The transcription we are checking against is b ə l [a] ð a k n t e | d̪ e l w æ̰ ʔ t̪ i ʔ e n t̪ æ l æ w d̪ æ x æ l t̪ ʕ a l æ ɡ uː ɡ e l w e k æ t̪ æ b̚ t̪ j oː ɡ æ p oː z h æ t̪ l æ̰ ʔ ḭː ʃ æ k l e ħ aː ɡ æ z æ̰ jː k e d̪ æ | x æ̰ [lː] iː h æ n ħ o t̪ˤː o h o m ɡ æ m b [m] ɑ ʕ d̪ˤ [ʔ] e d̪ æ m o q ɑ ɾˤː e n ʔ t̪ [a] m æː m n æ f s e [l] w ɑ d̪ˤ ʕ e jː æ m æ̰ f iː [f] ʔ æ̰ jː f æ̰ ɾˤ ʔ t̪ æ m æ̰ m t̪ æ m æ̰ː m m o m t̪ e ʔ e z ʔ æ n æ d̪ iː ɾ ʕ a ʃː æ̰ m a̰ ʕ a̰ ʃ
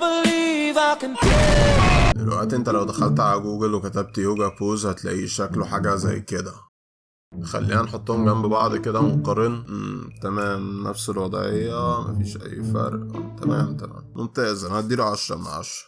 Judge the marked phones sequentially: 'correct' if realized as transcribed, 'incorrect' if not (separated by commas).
incorrect, correct, incorrect, incorrect, incorrect, correct, incorrect